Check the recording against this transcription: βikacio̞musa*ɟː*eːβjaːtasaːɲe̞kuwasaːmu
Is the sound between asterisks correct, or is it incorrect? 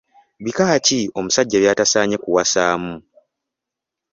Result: correct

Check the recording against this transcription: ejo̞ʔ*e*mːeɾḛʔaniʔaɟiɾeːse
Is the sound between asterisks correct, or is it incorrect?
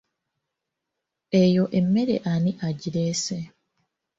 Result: correct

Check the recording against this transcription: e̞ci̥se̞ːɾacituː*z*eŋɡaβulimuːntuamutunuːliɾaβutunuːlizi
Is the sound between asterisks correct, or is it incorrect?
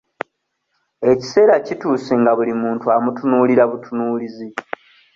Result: incorrect: s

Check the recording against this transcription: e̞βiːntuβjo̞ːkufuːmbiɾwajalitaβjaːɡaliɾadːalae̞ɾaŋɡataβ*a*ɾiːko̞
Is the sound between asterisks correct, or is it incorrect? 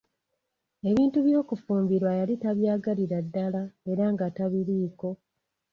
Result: incorrect: i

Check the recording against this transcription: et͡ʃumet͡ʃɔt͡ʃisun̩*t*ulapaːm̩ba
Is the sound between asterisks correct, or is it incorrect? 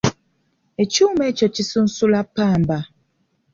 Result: incorrect: s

